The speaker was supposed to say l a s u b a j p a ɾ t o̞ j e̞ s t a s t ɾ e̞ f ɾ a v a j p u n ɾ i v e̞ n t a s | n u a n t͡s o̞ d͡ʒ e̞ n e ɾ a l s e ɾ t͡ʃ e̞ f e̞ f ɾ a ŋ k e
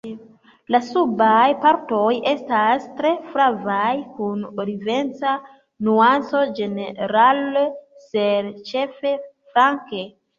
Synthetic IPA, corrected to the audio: l a s u b a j p a ɾ t o̞ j e̞ s t a s t ɾ e̞ f ɾ a v a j k u n ɾ i v e̞ n t͡s a | n u a n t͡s o̞ d͡ʒ e̞ n e ɾ a l s e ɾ t͡ʃ e̞ f e̞ f ɾ a ŋ k e